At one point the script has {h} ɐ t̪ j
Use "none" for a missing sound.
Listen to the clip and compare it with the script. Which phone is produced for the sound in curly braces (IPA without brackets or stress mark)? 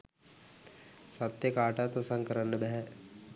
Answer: s